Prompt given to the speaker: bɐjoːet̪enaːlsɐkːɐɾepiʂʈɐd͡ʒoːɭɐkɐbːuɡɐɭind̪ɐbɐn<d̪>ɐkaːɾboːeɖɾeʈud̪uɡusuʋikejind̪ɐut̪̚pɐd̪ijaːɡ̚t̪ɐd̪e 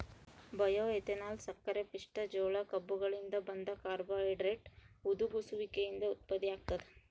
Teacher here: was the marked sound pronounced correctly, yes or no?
yes